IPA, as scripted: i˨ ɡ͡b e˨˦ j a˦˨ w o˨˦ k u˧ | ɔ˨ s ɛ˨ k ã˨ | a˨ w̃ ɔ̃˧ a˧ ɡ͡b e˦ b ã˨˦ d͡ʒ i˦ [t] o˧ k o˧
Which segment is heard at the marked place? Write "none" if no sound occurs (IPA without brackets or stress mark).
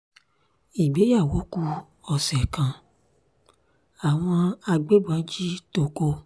t